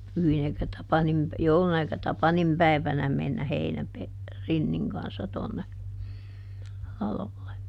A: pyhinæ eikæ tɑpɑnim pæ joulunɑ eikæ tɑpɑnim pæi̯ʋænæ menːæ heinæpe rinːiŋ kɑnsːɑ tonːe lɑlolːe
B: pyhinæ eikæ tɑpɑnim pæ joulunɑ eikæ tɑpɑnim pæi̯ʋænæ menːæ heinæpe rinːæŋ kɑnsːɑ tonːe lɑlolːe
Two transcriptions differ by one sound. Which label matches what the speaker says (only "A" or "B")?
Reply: A